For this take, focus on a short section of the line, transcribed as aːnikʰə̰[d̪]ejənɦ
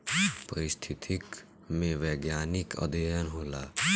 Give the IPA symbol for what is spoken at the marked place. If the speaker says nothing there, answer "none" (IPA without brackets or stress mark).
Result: d̪